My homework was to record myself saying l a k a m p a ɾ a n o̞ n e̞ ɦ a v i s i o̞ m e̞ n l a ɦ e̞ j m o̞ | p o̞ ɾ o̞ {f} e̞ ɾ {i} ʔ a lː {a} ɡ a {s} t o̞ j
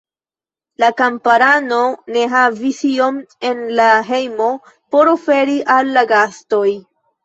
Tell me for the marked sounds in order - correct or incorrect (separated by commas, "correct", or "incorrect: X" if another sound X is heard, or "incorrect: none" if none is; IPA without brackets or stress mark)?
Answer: correct, correct, correct, correct